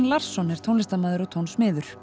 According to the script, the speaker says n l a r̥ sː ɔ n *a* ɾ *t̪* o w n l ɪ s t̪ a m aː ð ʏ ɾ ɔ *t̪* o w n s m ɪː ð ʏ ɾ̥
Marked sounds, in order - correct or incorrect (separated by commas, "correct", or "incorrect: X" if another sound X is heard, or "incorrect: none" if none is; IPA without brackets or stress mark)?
incorrect: ɛ, incorrect: t̪ʰ, incorrect: t̪ʰ